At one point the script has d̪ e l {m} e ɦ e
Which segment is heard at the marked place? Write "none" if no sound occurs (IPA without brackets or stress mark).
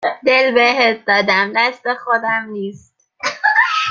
b